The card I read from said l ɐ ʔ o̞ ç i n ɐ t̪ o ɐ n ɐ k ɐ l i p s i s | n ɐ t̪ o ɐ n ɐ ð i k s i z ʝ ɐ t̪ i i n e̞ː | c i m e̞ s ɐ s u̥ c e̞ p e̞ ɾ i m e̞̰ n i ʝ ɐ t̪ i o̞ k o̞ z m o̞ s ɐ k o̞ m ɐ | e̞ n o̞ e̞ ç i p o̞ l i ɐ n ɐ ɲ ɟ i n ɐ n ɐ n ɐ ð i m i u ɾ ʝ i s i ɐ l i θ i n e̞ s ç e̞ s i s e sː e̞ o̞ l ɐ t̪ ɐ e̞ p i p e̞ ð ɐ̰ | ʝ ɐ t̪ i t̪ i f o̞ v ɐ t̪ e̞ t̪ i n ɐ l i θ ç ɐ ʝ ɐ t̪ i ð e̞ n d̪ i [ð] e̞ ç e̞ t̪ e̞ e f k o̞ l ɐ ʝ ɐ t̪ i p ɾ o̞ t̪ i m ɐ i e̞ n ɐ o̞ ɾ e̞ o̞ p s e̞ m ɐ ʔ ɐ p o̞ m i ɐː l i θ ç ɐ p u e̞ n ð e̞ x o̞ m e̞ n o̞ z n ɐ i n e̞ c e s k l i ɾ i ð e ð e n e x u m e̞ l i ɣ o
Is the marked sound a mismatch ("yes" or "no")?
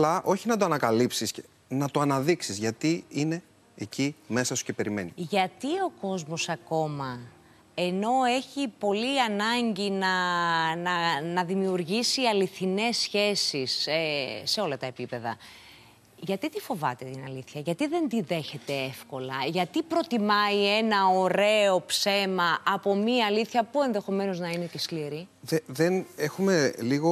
no